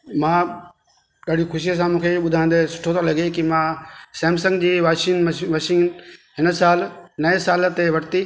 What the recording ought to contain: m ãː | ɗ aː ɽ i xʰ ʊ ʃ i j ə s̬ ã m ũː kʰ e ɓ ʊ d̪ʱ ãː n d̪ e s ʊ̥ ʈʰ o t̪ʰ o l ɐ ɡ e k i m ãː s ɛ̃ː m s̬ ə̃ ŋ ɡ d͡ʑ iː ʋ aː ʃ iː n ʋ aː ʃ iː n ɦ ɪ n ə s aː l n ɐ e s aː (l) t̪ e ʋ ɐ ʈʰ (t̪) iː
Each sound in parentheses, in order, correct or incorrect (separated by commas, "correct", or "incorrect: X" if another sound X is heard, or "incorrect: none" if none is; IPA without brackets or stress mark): correct, correct